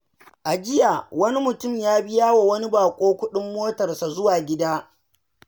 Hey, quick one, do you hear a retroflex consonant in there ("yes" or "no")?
no